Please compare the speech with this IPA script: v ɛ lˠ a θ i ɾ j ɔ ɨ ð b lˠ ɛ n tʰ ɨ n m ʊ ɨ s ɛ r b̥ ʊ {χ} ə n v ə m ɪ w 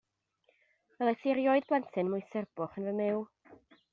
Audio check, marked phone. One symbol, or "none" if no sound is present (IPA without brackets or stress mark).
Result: χ